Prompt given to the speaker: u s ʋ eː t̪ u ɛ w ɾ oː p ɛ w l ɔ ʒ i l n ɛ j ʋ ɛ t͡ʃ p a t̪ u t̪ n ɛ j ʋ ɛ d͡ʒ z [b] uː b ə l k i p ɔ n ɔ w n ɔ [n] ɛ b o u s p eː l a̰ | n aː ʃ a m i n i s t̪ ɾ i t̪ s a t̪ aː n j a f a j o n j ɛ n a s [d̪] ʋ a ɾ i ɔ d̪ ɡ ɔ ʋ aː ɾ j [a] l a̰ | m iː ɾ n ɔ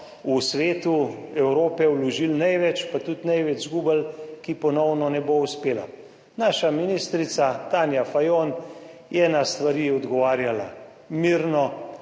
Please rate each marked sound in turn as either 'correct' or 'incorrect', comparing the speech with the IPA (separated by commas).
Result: incorrect, correct, incorrect, correct